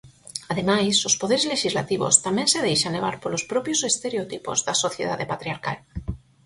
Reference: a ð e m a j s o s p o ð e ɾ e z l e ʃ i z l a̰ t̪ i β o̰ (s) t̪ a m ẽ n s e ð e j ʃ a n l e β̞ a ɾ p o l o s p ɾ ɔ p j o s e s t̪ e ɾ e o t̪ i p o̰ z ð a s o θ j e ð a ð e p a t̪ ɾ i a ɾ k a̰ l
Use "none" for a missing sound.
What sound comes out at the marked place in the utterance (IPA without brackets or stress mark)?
s